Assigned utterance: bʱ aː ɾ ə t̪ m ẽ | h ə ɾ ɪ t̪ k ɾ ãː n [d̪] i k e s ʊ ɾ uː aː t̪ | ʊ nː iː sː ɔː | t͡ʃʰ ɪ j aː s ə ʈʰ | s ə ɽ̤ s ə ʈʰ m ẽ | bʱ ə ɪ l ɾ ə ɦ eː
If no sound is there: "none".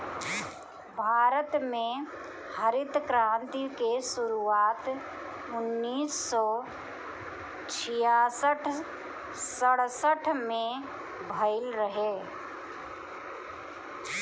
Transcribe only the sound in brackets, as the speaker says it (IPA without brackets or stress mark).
t̪